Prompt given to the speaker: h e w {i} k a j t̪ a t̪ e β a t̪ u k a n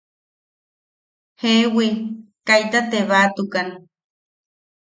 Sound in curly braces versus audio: correct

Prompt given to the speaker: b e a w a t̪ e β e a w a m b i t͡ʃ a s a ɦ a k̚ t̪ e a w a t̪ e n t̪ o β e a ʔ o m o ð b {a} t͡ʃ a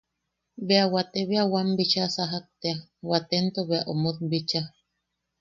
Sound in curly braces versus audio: incorrect: i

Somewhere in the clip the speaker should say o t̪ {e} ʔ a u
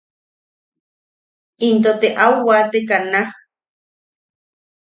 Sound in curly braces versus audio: correct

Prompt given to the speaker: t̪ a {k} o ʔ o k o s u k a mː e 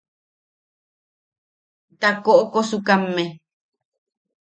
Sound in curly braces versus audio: correct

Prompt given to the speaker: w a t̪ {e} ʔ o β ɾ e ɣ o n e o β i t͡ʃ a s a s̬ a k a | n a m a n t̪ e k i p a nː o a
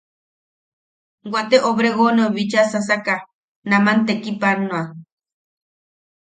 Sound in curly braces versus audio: correct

